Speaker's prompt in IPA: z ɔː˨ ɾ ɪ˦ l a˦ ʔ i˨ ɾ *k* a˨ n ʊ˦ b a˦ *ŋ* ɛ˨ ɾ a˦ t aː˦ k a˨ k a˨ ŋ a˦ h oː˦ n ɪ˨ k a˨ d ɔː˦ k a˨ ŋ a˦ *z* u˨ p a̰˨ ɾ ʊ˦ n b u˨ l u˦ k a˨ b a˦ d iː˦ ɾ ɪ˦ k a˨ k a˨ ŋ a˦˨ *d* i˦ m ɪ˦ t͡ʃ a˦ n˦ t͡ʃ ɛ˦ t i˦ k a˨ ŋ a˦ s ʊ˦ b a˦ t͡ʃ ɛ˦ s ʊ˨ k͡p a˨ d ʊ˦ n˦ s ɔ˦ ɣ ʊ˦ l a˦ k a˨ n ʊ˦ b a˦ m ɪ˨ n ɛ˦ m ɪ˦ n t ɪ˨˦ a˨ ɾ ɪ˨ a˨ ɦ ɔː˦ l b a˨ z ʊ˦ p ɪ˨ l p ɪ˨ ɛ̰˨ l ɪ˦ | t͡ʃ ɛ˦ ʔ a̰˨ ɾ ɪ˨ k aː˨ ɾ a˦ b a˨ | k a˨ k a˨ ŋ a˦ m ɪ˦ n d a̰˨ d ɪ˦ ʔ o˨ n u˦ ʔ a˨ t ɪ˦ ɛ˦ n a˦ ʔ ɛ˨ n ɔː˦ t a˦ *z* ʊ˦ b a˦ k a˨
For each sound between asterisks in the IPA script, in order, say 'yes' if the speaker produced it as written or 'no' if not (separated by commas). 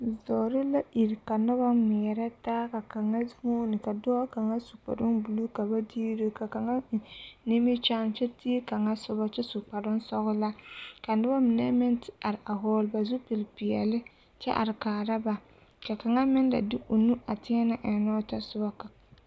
yes, no, no, no, no